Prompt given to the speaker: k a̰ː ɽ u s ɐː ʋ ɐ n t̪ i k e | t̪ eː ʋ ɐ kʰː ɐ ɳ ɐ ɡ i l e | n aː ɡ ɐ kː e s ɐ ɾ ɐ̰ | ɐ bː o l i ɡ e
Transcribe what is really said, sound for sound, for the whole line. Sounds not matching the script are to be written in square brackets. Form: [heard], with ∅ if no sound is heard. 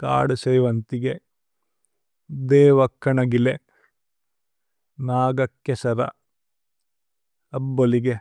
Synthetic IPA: k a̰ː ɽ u s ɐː ʋ ɐ n t̪ i [ɡ] e | [d̪] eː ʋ ɐ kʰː ɐ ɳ ɐ ɡ i l e | n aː ɡ ɐ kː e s ɐ ɾ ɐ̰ | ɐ bː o l i ɡ e